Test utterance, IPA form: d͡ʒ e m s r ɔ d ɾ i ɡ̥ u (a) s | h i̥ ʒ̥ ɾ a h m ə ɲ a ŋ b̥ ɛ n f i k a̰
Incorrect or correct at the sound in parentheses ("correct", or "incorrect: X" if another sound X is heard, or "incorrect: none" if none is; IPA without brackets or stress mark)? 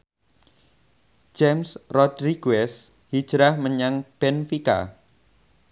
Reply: incorrect: ɛ